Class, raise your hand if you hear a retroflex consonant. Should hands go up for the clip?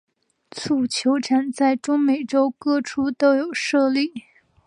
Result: yes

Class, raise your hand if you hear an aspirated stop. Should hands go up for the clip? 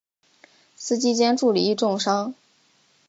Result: no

